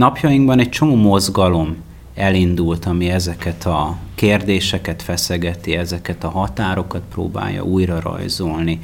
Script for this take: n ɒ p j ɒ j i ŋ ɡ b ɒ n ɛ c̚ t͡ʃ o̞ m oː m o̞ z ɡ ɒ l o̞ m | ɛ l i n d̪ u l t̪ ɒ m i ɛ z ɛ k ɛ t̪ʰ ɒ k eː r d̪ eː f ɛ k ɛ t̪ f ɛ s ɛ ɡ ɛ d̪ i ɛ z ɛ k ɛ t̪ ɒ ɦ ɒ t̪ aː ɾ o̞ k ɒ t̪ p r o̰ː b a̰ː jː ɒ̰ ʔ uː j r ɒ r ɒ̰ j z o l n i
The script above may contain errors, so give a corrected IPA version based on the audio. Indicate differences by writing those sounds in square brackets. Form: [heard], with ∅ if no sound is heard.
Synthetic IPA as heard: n ɒ p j ɒ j i ŋ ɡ b ɒ n ɛ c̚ t͡ʃ o̞ m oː m o̞ z ɡ ɒ l o̞ m | ɛ l i n d̪ u l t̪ ɒ m i ɛ z ɛ k ɛ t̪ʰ ɒ k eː r d̪ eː [ʃ] ɛ k ɛ t̪ f ɛ s ɛ ɡ ɛ [t̪] i ɛ z ɛ k ɛ t̪ ɒ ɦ ɒ t̪ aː ɾ o̞ k ɒ t̪ p r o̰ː b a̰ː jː ɒ̰ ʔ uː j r ɒ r ɒ̰ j z o l n i